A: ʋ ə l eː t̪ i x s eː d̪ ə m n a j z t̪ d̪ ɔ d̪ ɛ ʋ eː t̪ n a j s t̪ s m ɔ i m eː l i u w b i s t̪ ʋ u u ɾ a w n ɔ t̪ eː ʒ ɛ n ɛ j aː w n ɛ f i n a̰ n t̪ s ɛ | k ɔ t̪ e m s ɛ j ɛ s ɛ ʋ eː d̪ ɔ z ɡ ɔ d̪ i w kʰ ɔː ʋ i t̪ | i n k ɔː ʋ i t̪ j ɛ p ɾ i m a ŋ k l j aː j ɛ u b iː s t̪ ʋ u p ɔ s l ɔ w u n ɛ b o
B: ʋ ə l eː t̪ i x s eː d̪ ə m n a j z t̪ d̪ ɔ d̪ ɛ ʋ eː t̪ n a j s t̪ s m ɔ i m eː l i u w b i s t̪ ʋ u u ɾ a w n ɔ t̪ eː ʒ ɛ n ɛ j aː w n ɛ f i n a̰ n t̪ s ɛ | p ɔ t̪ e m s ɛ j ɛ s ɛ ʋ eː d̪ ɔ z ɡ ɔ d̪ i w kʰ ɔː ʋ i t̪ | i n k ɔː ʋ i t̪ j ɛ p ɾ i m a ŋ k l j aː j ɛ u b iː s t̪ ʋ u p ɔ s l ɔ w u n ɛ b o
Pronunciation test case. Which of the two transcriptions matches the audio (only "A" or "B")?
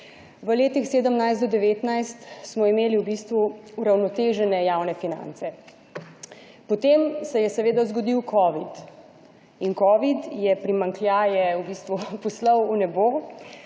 B